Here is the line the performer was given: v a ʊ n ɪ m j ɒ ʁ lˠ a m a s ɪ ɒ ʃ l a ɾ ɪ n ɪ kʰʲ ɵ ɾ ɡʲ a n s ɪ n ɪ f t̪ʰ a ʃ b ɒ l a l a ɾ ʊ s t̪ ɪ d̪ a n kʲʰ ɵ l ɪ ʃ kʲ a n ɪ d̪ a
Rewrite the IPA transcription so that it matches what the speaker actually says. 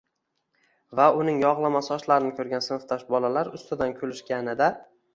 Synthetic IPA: v a ʊ n ɪ ŋ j ɒ ʁ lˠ a m a s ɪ ɒ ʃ l a ɾ ɪ n ɪ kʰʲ ɵ ɾ ɡʲ a n s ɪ n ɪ f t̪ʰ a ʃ b ɒ l a l a ɾ ʊ s t̪ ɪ d̪ a n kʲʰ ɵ l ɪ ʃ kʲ a n ɪ d̪ a